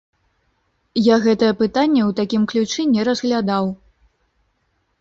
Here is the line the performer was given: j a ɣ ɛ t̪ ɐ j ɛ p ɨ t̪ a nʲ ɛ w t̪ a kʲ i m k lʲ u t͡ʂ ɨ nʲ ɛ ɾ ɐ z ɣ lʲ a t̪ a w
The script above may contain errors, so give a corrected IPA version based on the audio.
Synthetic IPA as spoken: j a ɣ ɛ t̪ ɐ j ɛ p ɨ t̪ a nʲː ɛ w t̪ a kʲ i m k lʲ u t͡ʂ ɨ nʲ ɛ ɾ ɐ z ɣ lʲ a d̪ a w